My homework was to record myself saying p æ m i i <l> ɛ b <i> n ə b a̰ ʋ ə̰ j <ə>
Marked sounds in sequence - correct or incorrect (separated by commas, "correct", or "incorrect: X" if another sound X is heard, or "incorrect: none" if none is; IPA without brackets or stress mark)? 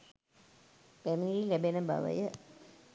correct, incorrect: e, correct